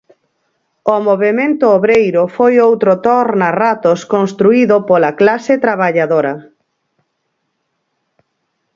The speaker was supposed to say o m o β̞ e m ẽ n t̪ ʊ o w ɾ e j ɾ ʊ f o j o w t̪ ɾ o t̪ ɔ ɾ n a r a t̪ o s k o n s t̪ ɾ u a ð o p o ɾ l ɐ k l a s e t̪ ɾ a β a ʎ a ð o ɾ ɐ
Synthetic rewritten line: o m o β̞ e m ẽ n t̪ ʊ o β ɾ e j ɾ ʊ f o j o w t̪ ɾ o t̪ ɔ ɾ n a r a t̪ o s k o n s t̪ ɾ u i ð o p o l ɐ k l a s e t̪ ɾ a β a ʎ a ð o ɾ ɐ